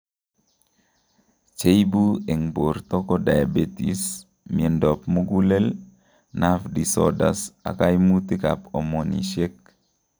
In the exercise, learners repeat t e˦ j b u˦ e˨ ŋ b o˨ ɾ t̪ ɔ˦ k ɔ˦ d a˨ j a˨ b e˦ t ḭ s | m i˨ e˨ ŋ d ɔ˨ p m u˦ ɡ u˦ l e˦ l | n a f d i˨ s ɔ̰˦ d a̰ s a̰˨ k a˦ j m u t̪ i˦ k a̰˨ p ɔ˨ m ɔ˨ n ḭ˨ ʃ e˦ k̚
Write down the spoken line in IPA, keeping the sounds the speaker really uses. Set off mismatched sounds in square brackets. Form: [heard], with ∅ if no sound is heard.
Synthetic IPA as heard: [t͡ʃ] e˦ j b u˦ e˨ ŋ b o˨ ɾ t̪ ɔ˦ k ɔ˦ d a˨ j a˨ b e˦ t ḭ s | m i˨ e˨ [n] d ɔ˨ p m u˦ ɡ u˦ l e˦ l | n a f d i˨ s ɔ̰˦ d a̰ s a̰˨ k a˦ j m u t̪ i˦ k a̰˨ p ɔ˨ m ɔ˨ n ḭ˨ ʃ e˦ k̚